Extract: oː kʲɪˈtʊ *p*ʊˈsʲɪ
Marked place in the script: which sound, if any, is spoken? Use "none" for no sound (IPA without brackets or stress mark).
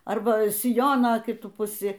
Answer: p